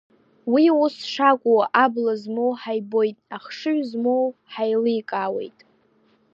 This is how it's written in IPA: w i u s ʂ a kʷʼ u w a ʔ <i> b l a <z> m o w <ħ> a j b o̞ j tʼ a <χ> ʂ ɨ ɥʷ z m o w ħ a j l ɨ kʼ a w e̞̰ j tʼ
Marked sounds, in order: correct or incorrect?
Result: incorrect: a, correct, correct, correct

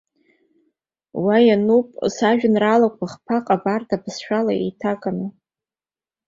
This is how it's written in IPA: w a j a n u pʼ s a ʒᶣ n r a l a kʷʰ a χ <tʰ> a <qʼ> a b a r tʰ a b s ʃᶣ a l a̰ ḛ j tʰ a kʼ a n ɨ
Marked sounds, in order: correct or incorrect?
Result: incorrect: pʰ, correct

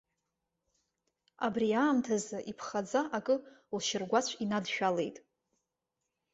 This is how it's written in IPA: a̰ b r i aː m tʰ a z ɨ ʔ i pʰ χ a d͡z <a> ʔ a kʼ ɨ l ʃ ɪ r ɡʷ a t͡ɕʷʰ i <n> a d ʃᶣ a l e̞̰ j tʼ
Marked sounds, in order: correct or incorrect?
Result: correct, correct

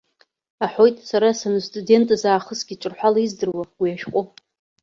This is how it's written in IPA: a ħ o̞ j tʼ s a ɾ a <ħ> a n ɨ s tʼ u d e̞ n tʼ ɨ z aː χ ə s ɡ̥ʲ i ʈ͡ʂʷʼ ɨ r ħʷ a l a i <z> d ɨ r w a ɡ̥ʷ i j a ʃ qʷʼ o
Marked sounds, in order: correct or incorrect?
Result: incorrect: s, correct

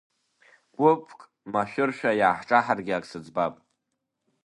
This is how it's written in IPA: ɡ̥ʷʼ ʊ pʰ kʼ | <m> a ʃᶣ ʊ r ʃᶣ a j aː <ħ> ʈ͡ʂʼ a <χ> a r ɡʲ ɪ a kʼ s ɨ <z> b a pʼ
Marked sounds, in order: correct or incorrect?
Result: correct, correct, incorrect: ħ, incorrect: d͡z

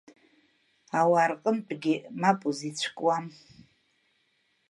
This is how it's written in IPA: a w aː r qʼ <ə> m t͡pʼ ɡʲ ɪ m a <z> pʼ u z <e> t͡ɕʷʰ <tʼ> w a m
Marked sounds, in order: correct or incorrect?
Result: correct, incorrect: none, incorrect: i, incorrect: kʼ

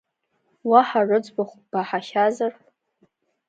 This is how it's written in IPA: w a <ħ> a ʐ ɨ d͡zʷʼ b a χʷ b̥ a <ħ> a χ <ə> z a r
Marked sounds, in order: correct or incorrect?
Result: correct, correct, incorrect: a

